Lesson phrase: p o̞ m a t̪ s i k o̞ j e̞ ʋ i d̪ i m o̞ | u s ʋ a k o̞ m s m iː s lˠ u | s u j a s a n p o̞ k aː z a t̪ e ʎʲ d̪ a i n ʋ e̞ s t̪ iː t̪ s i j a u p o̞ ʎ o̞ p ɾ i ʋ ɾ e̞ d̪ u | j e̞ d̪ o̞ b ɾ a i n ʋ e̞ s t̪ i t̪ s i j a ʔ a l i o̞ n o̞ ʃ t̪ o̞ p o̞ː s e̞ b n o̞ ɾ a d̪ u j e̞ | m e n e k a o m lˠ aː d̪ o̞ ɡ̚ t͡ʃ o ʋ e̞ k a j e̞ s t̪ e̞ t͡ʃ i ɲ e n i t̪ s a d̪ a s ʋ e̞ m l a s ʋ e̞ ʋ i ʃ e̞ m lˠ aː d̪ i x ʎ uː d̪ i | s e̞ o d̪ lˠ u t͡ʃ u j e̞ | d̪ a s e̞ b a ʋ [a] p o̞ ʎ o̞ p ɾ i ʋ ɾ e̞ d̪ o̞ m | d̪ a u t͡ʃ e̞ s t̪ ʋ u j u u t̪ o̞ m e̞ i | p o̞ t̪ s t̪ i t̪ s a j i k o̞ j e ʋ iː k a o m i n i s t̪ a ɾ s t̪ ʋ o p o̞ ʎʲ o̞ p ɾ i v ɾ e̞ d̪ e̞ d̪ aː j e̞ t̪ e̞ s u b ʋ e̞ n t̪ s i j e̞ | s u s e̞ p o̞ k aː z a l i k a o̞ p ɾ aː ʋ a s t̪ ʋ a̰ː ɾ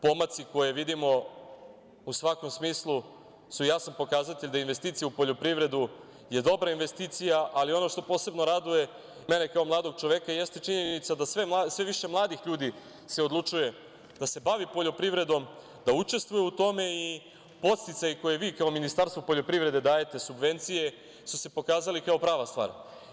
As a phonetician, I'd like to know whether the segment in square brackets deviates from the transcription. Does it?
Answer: yes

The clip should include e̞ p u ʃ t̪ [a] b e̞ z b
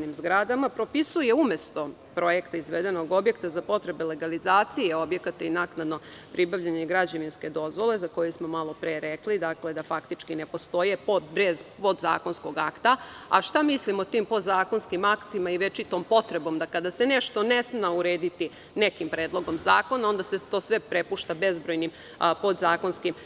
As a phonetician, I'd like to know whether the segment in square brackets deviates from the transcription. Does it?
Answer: no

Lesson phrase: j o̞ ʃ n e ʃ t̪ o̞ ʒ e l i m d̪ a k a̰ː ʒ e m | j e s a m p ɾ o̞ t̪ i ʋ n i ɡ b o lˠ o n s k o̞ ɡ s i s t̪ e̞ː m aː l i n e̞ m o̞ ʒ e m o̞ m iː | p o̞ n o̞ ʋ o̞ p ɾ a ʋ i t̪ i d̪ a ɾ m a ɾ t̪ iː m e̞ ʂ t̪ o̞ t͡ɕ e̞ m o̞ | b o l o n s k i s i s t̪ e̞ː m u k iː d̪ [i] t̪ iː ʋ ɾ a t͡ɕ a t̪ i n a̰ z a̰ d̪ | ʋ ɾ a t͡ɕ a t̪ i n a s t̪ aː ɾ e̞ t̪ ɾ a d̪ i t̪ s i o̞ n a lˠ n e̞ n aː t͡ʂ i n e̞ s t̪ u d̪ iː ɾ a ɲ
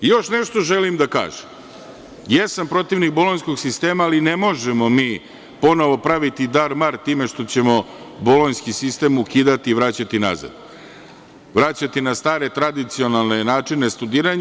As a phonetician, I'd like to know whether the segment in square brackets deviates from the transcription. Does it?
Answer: yes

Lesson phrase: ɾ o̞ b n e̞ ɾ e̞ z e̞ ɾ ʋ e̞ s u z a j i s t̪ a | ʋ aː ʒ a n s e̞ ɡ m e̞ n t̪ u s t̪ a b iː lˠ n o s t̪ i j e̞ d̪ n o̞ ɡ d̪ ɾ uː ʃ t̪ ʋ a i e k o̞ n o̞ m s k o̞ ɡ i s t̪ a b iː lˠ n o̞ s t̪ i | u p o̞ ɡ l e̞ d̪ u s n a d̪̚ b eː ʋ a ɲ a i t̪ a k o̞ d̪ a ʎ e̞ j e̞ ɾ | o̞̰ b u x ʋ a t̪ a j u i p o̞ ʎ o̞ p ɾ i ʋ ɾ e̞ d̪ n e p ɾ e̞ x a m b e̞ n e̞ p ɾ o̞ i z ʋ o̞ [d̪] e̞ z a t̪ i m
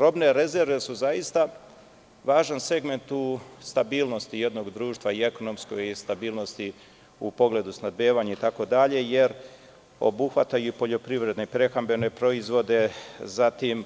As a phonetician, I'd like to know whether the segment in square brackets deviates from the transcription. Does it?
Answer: no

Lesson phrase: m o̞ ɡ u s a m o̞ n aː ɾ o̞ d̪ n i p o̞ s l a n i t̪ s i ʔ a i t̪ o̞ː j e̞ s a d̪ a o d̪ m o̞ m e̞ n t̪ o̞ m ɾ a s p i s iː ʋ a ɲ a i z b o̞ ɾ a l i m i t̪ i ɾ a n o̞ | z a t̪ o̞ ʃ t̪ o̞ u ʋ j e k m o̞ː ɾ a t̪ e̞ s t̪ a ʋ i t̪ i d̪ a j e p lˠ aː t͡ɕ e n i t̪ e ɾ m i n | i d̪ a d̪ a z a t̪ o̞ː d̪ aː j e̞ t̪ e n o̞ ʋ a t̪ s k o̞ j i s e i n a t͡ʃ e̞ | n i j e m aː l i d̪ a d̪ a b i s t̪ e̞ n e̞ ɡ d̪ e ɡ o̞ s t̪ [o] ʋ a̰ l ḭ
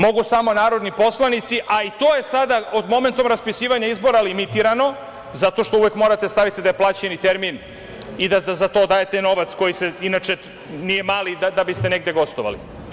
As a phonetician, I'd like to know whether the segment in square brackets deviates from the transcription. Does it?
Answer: no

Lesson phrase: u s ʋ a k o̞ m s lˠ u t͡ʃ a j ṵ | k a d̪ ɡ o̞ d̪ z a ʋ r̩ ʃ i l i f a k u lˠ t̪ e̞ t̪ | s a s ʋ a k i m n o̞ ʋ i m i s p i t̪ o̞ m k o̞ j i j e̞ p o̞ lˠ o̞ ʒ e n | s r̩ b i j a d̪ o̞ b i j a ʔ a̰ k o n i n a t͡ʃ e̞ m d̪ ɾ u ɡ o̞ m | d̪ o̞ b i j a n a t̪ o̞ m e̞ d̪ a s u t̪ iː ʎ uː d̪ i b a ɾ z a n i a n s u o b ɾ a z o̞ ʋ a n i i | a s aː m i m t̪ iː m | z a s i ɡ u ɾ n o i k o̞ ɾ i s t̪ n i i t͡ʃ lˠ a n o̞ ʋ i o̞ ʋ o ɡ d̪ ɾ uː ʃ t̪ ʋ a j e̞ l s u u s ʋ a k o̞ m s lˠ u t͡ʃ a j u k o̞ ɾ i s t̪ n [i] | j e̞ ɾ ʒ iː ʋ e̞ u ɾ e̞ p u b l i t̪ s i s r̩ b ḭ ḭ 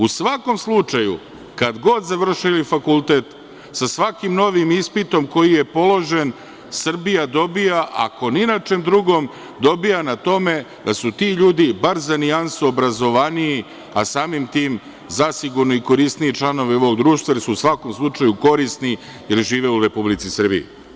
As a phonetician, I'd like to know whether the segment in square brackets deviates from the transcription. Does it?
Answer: no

